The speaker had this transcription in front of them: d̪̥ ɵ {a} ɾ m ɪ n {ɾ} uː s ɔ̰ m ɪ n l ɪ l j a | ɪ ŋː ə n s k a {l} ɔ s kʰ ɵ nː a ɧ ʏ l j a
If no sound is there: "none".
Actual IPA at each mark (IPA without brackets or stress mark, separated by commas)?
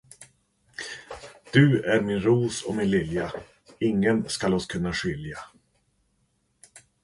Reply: æ, ɾ, l